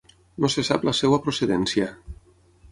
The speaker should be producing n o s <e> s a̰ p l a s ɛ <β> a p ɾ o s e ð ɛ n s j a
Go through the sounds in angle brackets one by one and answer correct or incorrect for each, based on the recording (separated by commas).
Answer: correct, incorrect